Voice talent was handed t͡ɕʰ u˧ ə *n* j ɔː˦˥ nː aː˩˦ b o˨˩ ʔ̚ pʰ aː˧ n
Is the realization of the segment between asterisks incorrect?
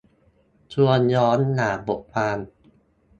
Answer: no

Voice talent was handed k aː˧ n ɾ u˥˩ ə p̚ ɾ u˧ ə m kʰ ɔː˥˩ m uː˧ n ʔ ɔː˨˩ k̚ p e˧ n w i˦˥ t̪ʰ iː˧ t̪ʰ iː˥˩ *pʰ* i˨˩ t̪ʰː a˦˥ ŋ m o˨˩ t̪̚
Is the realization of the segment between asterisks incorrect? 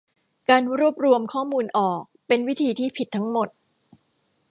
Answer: no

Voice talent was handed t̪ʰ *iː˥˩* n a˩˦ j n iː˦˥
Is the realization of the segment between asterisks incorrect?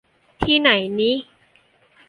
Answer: no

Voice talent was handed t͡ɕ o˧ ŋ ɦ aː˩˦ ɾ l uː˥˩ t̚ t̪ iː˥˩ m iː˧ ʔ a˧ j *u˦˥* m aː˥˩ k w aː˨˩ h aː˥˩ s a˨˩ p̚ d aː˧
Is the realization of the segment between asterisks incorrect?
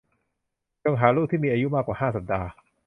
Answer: no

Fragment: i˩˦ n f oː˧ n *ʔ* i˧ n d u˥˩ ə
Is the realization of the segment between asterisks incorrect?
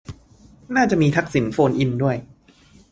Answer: no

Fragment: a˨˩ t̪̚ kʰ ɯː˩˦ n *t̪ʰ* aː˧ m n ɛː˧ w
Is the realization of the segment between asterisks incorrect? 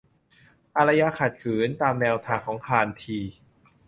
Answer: yes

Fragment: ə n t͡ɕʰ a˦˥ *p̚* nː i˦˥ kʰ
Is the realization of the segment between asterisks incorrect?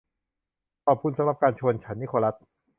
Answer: yes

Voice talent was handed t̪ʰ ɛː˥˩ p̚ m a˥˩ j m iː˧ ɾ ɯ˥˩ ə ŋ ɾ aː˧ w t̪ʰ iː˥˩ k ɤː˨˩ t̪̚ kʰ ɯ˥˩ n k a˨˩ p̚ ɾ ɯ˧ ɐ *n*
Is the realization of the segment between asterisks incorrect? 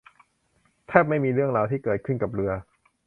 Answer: yes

